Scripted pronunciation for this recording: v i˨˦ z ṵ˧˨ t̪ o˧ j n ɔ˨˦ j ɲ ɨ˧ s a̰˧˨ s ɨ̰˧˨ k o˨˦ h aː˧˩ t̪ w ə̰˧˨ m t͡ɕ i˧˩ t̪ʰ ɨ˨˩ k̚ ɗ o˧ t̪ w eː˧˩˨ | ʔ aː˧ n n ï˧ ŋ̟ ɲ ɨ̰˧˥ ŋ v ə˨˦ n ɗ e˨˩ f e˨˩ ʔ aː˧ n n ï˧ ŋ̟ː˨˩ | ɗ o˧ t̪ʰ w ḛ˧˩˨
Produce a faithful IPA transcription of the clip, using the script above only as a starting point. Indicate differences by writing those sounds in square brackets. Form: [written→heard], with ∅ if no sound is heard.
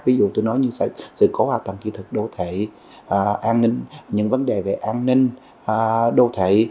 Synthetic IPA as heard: v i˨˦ z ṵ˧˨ t̪ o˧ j n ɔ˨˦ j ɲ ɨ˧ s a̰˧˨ s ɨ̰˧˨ k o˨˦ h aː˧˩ t̪ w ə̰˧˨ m t͡ɕ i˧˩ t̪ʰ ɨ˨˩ k̚ ɗ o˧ [t̪→t̪ʰ] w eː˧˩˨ | ʔ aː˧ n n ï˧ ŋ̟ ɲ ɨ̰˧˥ ŋ v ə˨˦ n ɗ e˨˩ [f→v] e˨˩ ʔ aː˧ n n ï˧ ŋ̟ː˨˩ | ɗ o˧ t̪ʰ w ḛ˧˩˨